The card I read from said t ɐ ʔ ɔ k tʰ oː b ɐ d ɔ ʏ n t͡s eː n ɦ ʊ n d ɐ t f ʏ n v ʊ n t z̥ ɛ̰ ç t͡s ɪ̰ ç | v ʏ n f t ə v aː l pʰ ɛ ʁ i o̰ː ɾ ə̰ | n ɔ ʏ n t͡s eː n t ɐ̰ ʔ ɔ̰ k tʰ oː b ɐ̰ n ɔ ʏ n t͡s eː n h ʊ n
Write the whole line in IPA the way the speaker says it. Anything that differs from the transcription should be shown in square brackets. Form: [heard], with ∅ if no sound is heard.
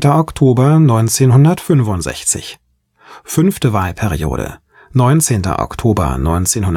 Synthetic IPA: t ɐ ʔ ɔ k tʰ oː b ɐ [n] ɔ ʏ n t͡s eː n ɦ ʊ n d ɐ t f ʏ n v ʊ n t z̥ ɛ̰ ç t͡s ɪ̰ ç | [f] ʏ n f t ə v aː l pʰ ɛ ʁ i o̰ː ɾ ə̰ | n ɔ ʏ n t͡s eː n t ɐ̰ ʔ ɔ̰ k tʰ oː b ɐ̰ n ɔ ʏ n t͡s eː n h ʊ n